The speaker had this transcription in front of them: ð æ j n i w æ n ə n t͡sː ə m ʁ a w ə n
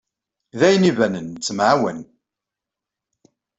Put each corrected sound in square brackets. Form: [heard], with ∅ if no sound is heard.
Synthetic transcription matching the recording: ð æ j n i [v] æ n ə n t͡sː ə m [ʕ] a w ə n